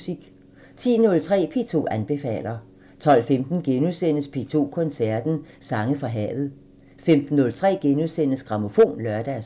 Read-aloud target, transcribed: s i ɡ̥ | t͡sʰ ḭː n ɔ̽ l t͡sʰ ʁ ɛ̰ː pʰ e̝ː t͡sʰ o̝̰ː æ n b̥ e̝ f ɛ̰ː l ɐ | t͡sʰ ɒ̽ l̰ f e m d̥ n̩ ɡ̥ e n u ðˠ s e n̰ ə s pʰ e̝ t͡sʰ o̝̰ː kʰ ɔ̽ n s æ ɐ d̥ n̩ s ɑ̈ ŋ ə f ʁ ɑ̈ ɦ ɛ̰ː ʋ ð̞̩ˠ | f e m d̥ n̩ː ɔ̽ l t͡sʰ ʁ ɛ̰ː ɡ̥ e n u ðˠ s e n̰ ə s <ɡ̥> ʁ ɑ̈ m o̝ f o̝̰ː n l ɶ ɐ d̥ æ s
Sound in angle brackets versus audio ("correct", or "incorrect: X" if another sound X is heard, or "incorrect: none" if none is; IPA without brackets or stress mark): correct